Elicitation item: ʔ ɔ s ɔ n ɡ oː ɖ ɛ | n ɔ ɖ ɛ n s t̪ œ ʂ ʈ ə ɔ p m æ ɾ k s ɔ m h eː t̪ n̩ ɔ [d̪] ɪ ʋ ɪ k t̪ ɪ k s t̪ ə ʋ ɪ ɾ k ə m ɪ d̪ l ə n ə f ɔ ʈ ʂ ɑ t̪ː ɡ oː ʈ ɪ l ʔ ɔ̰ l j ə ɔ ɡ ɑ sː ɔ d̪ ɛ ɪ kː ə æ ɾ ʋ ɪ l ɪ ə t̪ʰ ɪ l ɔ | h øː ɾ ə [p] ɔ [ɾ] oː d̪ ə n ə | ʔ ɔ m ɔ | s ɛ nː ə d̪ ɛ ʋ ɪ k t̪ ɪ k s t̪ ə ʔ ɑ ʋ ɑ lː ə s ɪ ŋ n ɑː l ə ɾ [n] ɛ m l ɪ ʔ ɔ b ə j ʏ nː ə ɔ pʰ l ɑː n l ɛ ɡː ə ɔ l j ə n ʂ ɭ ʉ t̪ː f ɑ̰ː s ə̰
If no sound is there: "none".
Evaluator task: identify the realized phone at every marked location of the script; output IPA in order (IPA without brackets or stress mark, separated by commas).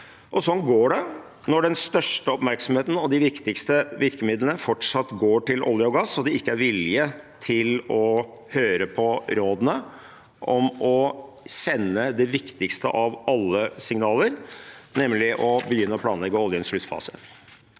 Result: d̪, pʰ, ɾ, n